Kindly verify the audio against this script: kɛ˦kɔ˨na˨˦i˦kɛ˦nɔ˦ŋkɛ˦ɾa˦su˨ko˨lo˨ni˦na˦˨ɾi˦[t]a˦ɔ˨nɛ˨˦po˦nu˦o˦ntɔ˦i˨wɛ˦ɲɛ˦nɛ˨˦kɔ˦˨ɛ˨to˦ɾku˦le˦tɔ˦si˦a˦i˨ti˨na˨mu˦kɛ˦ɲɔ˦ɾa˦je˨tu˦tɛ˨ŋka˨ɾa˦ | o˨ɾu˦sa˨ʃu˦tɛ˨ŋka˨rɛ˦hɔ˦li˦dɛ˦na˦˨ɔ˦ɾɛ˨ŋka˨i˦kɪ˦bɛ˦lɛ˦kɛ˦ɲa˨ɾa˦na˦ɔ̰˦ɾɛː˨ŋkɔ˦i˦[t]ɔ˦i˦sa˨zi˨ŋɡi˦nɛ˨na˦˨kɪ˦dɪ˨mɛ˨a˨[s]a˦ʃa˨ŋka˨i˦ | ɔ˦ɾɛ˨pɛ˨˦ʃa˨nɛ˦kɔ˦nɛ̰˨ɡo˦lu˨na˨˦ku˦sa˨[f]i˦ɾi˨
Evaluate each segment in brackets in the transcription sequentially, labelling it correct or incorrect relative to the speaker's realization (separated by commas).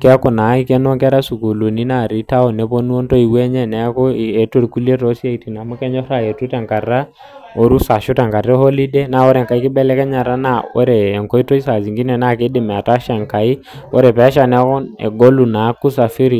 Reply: correct, correct, incorrect, correct